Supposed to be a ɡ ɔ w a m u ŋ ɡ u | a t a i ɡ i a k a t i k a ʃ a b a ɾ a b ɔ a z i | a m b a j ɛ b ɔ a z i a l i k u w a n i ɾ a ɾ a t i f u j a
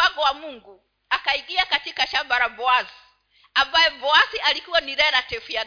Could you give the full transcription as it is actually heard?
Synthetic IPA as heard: a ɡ ɔ w a m u ŋ ɡ u | a k a i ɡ i a k a t i k a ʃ a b a ɾ a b ɔ a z i | a m b a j ɛ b ɔ a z i a l i k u w a n i ɾ ɛ ɾ a t ɛ f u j a